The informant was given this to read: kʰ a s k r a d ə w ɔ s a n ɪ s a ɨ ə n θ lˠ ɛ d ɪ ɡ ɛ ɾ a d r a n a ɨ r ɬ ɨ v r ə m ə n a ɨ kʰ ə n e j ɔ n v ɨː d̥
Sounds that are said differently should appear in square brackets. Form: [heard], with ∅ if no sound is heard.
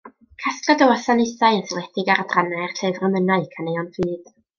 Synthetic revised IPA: kʰ a s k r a d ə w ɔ s a n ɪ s a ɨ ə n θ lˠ ɛ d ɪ ɡ [a] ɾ a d r a n a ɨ r ɬ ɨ v r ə m ə n a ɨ kʰ [a] n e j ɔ n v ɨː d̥